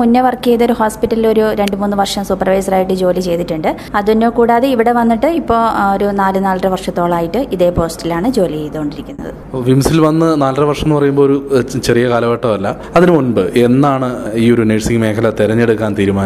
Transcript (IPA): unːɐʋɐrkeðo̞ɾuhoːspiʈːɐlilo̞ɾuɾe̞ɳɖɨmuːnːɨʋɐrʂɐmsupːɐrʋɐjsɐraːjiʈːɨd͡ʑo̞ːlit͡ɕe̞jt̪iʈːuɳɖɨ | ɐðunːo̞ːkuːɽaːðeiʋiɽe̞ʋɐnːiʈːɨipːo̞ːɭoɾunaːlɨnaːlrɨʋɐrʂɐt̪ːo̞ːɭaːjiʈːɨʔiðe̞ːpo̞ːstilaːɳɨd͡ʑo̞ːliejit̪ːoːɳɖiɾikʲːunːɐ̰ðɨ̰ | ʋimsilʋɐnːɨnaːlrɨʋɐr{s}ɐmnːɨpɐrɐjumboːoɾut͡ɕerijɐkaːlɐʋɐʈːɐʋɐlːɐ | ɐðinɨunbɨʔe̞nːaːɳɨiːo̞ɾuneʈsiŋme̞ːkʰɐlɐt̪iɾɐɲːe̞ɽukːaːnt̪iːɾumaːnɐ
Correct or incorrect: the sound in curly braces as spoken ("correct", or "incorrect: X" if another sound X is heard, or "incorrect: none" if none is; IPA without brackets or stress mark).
incorrect: ʂ